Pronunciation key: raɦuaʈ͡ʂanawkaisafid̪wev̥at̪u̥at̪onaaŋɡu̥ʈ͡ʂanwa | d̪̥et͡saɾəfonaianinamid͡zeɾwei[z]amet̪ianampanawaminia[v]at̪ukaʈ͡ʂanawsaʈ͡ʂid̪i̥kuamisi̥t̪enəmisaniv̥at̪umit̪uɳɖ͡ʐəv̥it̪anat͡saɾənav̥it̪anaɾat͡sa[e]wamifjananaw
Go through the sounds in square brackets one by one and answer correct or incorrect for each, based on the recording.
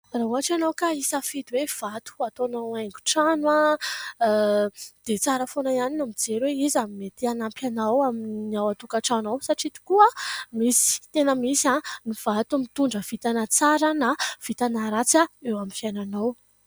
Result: correct, incorrect: w, correct

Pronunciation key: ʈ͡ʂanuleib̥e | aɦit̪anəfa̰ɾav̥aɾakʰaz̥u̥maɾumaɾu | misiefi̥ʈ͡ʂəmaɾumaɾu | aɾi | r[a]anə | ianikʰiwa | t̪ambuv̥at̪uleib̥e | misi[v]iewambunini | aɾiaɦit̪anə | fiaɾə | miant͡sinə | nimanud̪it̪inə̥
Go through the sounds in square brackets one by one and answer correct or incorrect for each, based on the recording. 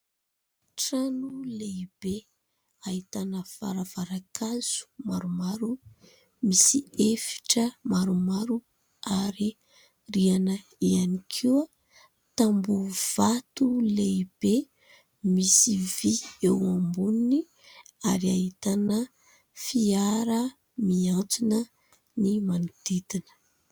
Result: incorrect: i, correct

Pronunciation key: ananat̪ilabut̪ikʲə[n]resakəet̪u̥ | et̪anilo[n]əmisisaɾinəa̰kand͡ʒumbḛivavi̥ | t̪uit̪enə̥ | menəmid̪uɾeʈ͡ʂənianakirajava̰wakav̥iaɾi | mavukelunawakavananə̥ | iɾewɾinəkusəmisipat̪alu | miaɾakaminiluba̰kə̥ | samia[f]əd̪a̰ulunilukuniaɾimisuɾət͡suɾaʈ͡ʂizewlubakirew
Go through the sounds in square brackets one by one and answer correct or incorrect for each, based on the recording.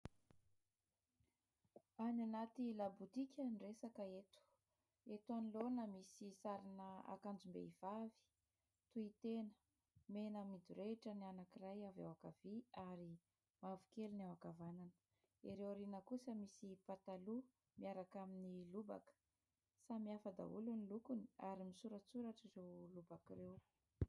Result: correct, correct, correct

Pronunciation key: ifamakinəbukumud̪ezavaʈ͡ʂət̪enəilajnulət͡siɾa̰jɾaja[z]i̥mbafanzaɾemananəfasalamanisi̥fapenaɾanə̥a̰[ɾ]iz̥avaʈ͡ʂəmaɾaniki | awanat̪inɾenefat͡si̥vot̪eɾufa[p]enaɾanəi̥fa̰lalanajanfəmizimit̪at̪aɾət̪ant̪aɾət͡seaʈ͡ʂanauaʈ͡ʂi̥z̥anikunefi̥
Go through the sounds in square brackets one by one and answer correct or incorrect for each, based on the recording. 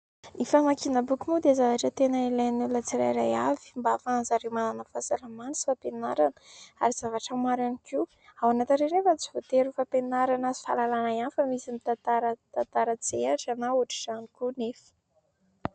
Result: incorrect: v, correct, correct

